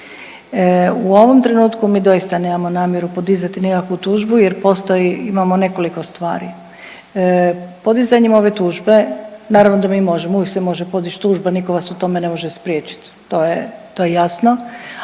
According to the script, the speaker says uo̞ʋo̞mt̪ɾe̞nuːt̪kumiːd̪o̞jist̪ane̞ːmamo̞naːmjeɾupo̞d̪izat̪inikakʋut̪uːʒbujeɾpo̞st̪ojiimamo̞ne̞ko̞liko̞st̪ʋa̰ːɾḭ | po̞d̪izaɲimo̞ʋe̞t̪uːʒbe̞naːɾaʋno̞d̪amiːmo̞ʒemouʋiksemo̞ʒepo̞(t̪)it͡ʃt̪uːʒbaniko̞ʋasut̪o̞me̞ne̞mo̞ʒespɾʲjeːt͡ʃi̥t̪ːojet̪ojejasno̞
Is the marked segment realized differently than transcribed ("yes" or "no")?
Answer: yes